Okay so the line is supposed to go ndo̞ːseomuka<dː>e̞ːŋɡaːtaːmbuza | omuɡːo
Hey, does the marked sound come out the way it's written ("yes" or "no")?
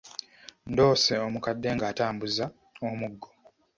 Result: yes